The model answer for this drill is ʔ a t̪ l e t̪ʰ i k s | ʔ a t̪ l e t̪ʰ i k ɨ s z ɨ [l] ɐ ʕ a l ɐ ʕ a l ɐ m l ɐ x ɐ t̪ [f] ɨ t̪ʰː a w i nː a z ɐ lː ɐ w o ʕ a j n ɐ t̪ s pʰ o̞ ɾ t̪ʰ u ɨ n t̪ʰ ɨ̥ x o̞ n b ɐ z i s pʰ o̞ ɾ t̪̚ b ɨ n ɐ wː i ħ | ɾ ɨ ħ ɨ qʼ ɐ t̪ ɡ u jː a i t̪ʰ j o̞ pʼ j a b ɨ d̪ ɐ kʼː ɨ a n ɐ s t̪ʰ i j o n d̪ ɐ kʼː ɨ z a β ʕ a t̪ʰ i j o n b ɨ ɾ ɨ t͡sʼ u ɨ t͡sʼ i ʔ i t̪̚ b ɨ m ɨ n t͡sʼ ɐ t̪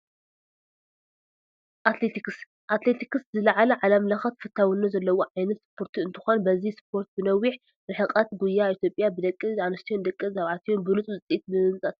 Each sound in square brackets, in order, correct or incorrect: correct, correct

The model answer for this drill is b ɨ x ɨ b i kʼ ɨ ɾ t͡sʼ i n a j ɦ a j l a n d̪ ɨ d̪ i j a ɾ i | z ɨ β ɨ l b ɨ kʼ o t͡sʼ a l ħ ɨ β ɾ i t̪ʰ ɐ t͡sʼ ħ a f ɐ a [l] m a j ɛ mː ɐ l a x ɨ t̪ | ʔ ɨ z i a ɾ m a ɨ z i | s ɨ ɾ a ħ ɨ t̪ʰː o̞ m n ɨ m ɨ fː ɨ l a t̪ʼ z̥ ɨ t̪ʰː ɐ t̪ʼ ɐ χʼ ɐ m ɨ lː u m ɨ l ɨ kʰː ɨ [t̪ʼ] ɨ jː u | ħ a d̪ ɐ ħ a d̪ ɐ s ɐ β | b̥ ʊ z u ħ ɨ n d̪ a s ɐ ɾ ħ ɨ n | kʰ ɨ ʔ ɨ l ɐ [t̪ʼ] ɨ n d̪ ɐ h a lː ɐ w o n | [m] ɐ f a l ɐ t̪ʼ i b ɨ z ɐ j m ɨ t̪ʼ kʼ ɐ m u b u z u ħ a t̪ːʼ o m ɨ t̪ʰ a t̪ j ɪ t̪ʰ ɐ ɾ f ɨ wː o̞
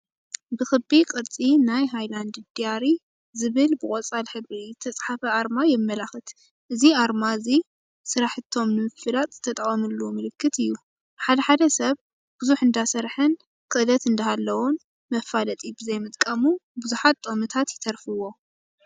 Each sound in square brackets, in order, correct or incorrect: incorrect: ɾ, incorrect: t̪, incorrect: t̪, correct

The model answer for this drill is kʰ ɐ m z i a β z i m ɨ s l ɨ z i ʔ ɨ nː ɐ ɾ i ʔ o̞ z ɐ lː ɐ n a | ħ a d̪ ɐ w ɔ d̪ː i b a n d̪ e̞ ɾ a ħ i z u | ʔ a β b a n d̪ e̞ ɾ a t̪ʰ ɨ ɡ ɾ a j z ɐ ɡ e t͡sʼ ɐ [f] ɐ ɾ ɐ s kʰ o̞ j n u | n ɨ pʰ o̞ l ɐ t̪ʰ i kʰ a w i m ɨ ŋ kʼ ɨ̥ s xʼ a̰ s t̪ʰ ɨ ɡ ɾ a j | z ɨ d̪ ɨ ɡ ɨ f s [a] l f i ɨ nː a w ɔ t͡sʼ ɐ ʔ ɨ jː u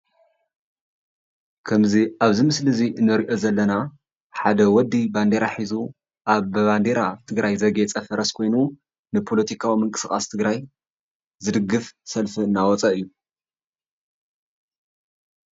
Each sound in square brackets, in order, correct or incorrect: correct, incorrect: ɐ

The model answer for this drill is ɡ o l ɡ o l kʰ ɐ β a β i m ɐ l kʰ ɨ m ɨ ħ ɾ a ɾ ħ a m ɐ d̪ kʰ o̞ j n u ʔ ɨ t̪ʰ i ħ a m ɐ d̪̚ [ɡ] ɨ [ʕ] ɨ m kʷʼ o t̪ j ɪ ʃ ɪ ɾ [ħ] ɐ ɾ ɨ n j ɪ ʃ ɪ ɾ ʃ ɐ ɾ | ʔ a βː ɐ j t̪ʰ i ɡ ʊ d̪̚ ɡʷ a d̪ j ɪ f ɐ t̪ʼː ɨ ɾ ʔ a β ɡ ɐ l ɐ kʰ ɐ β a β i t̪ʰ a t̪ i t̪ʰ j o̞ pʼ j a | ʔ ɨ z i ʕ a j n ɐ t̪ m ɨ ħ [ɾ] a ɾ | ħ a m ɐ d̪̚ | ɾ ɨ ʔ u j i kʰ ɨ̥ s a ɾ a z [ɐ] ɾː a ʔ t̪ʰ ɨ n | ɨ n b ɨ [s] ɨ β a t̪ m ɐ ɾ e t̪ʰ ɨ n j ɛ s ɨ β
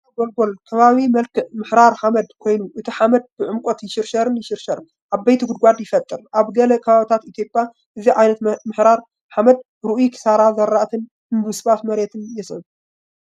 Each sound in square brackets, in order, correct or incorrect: incorrect: b, correct, incorrect: ʃ, correct, correct, correct

